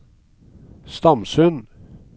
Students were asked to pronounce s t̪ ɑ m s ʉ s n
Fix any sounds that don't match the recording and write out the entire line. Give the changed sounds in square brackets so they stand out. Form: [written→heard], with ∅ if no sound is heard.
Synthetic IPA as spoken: s t̪ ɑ m s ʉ [s→∅] n